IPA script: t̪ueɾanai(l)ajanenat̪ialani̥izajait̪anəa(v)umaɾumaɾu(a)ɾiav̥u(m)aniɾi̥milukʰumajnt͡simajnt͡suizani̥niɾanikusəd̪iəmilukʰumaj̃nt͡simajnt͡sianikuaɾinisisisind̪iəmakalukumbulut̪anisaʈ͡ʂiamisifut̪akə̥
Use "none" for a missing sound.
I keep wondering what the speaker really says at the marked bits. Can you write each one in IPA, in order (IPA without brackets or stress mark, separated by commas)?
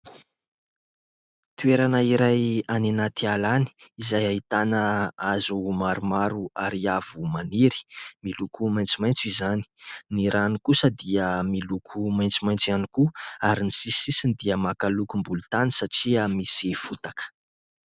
ɾ, z, a, m